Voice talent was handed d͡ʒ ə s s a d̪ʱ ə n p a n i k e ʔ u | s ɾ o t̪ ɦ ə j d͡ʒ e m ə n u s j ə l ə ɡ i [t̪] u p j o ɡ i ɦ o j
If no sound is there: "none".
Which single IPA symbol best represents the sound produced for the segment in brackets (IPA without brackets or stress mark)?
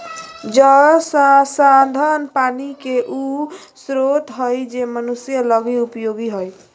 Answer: none